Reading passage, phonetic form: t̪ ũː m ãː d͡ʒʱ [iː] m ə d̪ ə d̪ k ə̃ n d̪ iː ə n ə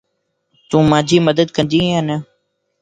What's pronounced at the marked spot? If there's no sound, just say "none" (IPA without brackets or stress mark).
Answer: iː